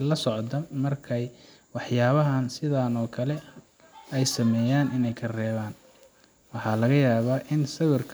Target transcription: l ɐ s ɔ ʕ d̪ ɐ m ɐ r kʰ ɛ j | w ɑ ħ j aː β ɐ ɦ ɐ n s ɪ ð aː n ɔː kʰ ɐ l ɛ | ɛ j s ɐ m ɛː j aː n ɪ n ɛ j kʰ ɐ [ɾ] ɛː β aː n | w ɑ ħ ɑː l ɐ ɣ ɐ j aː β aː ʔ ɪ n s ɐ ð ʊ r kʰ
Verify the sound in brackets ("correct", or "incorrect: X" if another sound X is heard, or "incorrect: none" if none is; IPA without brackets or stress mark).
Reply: incorrect: r